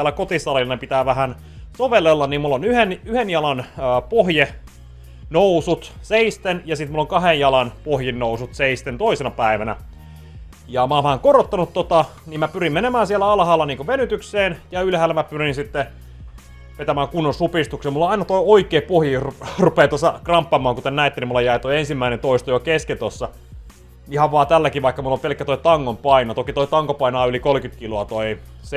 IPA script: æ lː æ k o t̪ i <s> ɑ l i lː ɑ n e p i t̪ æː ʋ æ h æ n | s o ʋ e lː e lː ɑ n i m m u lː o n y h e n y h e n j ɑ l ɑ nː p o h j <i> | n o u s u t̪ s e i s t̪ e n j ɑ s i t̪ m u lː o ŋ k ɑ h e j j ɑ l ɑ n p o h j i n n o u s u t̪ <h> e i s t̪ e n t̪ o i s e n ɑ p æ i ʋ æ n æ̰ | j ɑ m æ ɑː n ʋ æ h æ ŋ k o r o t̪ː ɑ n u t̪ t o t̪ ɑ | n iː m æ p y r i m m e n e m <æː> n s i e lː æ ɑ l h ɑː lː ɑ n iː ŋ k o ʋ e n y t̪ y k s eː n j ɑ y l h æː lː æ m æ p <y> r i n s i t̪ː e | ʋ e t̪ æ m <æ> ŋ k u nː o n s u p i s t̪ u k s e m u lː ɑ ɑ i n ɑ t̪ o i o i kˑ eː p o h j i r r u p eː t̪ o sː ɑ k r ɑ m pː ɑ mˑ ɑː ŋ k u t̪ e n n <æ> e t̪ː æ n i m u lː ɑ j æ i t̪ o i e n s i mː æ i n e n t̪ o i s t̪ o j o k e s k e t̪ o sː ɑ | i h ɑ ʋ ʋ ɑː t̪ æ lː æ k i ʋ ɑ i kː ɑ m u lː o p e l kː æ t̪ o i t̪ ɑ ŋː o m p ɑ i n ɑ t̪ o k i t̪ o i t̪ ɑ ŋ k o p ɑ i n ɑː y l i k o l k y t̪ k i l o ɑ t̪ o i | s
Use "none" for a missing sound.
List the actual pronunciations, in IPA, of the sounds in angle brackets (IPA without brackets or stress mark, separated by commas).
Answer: s, e, s, æː, y, æː, æ